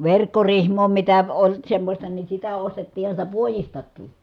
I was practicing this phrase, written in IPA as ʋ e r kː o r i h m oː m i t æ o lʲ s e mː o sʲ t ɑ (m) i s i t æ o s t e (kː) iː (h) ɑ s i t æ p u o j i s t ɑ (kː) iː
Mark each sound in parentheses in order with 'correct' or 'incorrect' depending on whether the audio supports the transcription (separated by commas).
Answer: incorrect, incorrect, correct, correct